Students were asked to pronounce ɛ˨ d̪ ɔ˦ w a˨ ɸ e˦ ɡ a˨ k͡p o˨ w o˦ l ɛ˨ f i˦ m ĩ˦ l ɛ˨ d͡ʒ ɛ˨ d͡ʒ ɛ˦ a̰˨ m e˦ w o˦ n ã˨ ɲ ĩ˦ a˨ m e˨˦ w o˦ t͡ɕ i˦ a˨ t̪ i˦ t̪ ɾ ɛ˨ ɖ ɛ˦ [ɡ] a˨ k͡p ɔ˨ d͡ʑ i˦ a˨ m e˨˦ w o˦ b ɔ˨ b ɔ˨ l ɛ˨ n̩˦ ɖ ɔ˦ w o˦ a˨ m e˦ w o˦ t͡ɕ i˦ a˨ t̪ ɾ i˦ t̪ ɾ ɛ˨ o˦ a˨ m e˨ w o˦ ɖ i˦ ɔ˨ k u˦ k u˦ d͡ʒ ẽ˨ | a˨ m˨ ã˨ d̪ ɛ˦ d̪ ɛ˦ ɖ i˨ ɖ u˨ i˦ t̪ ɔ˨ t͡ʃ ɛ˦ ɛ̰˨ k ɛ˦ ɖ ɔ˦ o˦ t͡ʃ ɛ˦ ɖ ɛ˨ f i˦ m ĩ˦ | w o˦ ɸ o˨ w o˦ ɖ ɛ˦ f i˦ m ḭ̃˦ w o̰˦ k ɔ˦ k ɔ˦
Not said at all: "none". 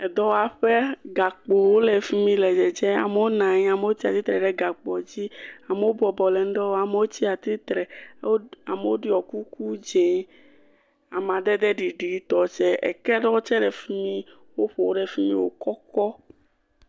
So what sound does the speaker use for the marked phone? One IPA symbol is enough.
ɡ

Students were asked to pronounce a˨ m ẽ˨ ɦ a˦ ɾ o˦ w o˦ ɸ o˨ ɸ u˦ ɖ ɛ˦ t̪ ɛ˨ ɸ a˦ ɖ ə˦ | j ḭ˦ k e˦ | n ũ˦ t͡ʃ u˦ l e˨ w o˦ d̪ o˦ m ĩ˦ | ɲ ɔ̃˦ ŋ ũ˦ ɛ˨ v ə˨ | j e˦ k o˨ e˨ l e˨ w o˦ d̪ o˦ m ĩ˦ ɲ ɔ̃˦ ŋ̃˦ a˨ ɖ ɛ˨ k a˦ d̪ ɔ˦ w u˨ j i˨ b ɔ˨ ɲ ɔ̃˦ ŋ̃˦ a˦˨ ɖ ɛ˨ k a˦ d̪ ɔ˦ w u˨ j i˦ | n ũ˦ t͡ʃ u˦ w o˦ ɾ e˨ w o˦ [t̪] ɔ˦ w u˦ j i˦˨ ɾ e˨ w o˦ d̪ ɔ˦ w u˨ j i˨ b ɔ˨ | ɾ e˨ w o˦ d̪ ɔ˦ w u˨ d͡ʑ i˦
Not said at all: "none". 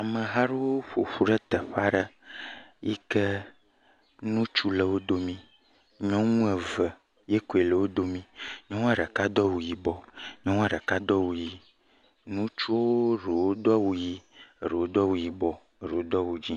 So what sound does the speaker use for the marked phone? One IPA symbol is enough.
d̪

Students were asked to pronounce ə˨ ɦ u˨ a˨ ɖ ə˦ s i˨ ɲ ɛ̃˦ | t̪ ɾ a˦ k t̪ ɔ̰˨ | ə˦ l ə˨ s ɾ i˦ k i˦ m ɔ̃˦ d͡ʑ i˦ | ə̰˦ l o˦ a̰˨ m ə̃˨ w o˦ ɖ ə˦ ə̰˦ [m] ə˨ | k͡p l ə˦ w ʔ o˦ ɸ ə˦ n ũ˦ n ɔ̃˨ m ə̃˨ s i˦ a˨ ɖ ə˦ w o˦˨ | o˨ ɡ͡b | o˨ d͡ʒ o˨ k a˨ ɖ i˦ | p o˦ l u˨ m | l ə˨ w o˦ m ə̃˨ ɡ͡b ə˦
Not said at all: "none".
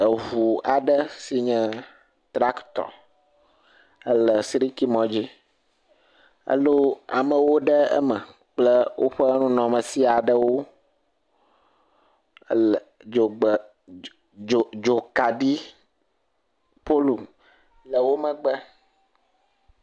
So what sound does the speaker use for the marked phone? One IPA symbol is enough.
m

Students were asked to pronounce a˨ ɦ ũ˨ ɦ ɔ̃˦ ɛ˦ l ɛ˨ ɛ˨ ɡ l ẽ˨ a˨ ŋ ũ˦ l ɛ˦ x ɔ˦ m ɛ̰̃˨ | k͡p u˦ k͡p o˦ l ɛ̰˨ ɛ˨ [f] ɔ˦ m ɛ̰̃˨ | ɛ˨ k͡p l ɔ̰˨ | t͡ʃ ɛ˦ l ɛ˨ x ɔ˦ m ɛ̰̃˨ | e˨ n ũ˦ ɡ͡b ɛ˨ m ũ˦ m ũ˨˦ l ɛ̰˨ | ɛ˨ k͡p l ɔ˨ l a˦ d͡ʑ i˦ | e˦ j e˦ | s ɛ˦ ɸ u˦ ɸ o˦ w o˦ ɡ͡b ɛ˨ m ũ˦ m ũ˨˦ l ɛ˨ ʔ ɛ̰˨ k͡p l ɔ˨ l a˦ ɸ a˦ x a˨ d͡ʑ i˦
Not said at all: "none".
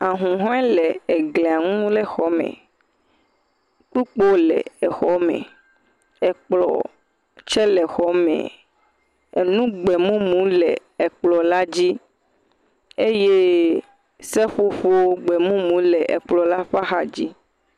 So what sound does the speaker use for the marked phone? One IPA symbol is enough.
x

